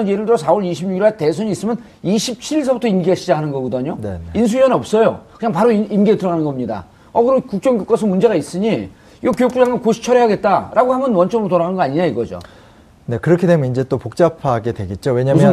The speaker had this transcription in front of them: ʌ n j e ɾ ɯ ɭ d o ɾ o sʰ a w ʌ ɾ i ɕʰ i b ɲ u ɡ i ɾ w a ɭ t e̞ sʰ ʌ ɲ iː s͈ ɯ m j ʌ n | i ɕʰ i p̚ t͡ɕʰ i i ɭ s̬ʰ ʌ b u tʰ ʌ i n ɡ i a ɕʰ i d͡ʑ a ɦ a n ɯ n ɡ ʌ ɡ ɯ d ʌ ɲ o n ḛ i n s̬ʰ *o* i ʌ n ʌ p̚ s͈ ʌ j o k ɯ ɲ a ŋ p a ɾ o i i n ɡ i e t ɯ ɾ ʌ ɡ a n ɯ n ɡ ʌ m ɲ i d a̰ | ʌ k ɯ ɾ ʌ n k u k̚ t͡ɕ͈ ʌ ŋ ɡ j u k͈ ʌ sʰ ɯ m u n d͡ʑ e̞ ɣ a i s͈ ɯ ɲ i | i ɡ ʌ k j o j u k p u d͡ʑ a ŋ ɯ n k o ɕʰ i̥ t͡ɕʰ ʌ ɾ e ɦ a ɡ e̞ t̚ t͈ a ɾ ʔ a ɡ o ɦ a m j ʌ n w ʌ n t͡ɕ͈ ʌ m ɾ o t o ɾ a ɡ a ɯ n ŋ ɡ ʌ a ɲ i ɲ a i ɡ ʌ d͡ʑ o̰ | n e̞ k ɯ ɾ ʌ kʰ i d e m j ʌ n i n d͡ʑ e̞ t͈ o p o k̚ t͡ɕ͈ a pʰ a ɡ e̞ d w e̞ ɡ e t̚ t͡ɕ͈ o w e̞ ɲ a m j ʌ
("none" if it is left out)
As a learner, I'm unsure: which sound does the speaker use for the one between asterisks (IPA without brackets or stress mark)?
u